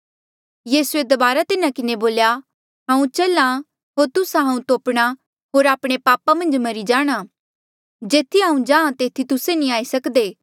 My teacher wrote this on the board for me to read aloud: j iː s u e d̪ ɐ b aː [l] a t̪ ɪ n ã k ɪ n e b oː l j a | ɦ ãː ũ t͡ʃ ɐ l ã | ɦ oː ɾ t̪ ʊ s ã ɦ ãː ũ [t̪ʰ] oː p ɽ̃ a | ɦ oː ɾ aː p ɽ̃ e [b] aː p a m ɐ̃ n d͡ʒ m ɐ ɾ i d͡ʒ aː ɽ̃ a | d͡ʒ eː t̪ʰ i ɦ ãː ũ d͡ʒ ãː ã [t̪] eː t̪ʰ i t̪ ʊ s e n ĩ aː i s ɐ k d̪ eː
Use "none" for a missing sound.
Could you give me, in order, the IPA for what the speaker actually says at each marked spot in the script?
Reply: ɾ, t̪, p, t̪

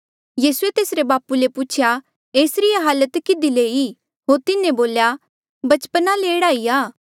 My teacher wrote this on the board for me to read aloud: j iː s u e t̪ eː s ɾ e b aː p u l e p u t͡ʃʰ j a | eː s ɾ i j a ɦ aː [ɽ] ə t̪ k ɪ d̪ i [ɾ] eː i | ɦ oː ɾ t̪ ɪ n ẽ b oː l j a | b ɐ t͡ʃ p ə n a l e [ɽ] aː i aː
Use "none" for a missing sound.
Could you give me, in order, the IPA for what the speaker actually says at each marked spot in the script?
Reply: l, l, ɽ

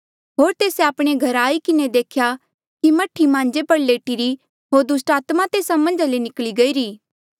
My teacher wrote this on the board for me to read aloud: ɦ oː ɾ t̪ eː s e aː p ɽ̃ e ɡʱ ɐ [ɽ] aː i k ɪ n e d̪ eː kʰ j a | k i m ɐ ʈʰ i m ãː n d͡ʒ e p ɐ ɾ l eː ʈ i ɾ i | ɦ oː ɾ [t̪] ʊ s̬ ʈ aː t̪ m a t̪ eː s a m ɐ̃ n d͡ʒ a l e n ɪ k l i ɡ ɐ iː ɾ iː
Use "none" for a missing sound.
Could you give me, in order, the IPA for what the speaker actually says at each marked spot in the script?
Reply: ɾ, d̪

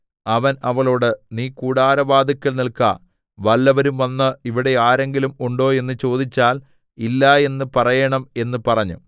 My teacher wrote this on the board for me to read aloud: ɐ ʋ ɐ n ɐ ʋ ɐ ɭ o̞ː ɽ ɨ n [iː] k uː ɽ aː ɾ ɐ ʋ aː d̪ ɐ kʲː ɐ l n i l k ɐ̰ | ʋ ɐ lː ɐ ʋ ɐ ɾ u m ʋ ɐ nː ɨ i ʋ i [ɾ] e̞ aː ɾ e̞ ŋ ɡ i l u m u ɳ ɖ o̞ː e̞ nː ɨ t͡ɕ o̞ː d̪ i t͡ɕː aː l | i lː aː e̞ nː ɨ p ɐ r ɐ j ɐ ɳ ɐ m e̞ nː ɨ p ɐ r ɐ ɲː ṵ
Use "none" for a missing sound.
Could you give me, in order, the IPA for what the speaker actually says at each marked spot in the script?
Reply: iː, ɽ

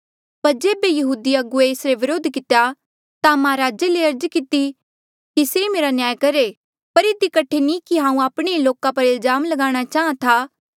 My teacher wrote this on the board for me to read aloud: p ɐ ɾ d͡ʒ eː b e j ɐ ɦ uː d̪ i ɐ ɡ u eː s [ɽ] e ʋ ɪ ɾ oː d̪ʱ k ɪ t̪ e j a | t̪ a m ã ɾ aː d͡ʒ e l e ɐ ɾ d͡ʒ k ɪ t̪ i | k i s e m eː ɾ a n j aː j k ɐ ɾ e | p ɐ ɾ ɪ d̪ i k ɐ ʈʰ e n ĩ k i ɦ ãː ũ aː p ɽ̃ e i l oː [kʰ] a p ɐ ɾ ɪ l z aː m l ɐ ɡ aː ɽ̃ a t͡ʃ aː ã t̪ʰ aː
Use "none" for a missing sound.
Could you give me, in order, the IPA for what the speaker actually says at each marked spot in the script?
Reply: ɾ, k

